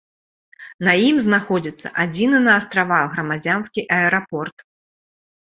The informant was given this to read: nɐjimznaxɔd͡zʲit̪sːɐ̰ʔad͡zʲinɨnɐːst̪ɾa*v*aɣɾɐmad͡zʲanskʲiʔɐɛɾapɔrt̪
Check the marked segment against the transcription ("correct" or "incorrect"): correct